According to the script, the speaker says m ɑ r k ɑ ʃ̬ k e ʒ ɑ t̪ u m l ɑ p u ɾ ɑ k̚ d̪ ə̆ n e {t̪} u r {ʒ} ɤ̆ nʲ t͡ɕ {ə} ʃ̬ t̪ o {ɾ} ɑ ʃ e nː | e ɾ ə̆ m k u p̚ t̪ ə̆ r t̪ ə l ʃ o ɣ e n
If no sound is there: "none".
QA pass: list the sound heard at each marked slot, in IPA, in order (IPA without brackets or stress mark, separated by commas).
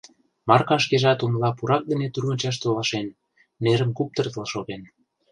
t̪, ɣ, ɑ, l